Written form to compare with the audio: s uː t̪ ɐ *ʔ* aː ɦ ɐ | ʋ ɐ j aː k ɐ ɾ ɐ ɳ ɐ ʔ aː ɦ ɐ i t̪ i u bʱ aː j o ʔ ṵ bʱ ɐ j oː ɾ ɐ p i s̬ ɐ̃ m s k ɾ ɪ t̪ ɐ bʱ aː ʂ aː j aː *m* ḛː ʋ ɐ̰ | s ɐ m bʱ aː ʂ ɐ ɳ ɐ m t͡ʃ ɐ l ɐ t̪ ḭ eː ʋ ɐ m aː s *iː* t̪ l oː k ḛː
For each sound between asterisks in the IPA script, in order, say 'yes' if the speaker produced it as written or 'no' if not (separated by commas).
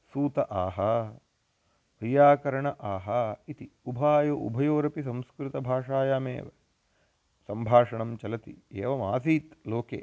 yes, yes, yes